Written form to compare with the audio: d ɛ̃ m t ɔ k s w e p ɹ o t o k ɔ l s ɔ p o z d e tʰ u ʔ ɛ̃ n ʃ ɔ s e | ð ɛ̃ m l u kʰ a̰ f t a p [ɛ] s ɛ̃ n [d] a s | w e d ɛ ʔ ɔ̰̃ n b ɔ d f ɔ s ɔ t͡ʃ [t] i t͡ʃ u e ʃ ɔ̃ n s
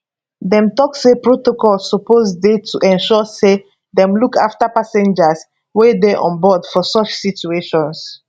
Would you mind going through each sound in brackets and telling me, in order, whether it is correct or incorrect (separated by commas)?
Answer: incorrect, incorrect, incorrect